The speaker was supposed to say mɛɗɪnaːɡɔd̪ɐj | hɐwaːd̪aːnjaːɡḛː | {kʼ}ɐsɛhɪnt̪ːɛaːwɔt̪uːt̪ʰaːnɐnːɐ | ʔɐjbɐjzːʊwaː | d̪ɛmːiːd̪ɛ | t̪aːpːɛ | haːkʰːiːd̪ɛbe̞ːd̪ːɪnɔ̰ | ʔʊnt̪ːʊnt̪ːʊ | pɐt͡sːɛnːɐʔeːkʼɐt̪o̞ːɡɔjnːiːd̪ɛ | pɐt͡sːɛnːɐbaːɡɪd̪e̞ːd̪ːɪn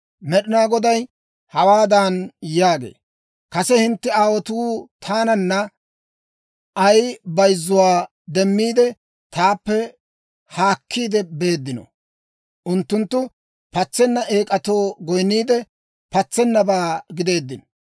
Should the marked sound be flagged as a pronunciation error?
yes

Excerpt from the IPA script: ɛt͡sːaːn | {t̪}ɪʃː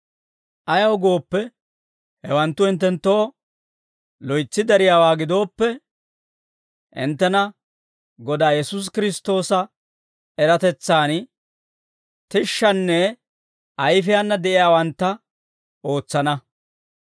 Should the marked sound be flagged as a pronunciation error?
no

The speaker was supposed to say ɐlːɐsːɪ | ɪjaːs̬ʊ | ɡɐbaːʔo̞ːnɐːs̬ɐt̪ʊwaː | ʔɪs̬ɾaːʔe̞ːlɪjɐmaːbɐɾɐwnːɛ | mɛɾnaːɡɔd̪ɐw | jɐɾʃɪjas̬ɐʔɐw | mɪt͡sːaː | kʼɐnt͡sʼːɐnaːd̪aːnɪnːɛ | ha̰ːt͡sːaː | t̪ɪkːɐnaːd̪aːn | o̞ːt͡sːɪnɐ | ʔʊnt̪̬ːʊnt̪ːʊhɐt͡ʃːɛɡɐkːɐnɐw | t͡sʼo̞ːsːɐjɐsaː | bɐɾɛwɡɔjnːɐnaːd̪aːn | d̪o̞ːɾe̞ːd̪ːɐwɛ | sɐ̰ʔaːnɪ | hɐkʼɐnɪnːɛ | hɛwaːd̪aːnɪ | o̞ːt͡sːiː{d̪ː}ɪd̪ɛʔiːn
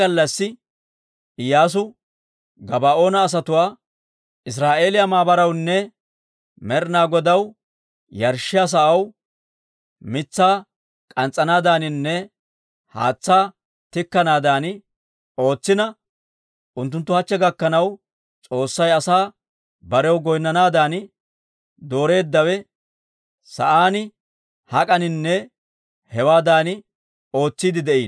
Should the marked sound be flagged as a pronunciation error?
yes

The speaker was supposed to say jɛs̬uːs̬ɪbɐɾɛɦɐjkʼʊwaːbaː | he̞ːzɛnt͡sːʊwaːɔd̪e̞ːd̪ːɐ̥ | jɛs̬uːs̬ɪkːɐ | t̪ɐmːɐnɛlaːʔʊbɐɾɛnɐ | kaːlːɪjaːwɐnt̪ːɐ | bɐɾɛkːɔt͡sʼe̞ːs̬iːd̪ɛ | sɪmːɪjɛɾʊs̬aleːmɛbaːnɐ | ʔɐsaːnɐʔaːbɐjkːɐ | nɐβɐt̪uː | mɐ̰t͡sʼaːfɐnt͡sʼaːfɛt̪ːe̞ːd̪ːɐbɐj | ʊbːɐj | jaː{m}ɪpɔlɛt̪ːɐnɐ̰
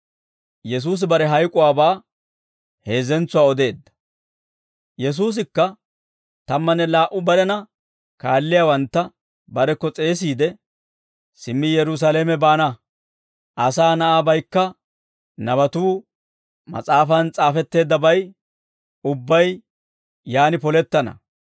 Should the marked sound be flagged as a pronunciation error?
yes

